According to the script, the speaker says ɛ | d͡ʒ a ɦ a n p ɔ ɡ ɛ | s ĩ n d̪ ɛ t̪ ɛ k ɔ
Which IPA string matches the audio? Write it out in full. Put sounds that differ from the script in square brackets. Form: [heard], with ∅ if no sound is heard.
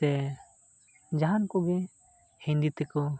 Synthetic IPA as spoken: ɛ | d͡ʒ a ɦ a n [k] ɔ ɡ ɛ | [h] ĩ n d̪ [i] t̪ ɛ k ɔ